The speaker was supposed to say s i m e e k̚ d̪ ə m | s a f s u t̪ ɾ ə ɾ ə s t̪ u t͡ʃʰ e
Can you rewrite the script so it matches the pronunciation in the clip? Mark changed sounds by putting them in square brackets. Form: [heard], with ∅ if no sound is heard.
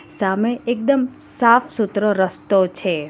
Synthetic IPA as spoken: s [a] m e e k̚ d̪ ə m | s a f s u t̪ ɾ ə ɾ ə s t̪ [o] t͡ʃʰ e